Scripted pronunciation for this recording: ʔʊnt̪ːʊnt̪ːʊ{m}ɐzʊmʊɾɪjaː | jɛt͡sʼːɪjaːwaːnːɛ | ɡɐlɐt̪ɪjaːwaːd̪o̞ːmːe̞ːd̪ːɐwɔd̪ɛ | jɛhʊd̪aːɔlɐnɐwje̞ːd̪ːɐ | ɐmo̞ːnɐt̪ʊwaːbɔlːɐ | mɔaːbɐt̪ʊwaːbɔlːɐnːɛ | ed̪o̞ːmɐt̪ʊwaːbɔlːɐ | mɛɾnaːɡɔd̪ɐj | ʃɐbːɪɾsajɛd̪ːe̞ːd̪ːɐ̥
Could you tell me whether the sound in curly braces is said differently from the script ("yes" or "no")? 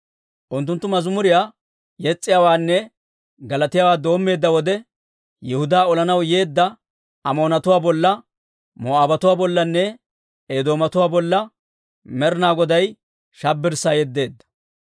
no